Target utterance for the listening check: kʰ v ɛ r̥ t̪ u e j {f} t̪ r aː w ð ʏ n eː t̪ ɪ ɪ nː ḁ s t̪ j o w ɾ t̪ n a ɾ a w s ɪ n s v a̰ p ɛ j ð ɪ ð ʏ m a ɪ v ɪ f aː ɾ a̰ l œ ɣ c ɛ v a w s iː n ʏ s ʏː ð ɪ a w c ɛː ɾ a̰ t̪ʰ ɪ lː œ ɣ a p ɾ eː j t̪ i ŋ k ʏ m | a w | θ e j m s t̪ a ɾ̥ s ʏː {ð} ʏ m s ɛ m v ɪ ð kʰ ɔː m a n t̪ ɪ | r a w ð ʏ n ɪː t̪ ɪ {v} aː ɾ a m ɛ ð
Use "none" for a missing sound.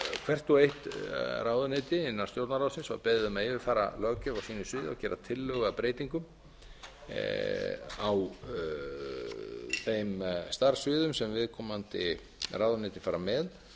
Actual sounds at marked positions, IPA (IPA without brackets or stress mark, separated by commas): h, ð, f